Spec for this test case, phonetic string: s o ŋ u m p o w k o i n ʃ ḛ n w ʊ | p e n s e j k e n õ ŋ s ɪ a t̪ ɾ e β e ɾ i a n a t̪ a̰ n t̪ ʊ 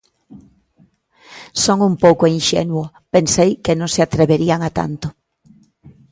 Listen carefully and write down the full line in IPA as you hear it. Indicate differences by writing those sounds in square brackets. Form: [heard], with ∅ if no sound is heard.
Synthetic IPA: s o ŋ u m p o w k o i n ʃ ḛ n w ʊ | p e n s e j k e n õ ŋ s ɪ a t̪ ɾ e β e ɾ i a [ŋ] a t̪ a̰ n t̪ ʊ